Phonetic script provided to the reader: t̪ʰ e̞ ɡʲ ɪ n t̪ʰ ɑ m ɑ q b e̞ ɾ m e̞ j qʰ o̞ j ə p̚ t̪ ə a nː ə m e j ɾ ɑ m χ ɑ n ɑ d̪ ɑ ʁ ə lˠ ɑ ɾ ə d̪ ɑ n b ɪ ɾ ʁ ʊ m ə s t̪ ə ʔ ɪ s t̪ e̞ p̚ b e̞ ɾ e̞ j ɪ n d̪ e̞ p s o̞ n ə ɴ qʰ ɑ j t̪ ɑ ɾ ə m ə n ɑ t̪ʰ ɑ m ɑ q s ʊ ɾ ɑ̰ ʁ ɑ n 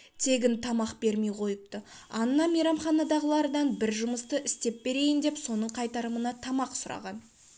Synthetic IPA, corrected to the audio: t̪ʰ e̞ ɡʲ ɪ n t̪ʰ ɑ m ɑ q b e̞ ɾ m e̞ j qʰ o̞ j ə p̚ t̪ ə ɑ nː ɑ m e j ɾ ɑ m χ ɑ n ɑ d̪ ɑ ʁ ə lˠ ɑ ɾ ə d̪ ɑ n b ɪ ɾ ʒ ʊ m ə s t̪ ə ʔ ɪ s t̪ e̞ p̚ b e̞ ɾ e̞ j ɪ n d̪ e̞ p s o̞ n ə ɴ qʰ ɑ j t̪ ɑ ɾ ə m ə n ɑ t̪ʰ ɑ m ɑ q s ʊ ɾ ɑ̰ ʁ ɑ n